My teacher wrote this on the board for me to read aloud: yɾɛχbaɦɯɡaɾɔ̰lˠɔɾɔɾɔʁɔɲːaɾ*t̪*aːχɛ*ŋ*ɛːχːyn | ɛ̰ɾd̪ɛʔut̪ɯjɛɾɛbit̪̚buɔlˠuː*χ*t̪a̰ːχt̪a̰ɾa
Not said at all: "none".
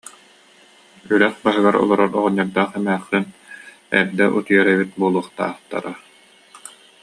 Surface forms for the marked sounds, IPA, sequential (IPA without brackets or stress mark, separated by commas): d̪, m, χ